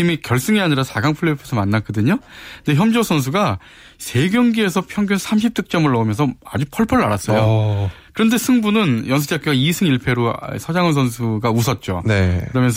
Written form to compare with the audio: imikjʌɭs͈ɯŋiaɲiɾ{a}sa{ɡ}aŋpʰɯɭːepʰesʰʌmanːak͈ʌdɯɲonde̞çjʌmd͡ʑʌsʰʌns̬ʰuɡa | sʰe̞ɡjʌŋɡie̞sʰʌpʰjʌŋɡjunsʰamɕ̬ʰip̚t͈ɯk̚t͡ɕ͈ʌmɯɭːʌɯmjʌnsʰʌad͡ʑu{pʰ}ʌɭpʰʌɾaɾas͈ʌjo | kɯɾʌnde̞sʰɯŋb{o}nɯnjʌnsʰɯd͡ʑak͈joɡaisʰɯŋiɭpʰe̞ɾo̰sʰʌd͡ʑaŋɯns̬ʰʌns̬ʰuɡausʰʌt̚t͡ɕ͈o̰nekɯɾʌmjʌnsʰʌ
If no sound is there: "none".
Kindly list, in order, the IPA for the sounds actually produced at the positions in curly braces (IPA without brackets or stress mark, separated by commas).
a, ɡ, pʰ, u